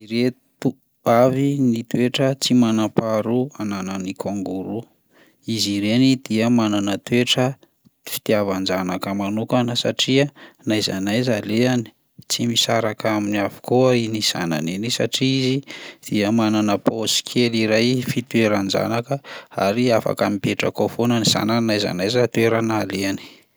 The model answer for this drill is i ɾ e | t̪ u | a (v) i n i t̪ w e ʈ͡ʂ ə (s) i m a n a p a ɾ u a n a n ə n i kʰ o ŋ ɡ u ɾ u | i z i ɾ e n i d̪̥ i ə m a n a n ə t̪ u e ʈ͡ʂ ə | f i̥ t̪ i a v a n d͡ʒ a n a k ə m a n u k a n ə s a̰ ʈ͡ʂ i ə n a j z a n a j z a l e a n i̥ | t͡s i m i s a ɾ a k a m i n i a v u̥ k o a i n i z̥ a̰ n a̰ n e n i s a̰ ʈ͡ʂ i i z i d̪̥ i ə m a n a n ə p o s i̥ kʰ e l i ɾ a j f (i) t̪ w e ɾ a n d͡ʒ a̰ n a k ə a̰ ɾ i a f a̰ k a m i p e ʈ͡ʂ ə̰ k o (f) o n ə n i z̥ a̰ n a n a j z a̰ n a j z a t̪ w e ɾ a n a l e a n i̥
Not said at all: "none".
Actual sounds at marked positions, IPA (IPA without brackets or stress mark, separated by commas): v, t͡s, i, f